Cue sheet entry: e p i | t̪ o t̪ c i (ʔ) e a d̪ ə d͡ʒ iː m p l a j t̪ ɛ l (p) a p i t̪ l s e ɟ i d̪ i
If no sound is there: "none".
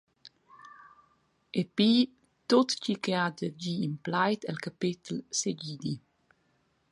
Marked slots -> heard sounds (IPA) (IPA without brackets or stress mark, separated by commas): k, k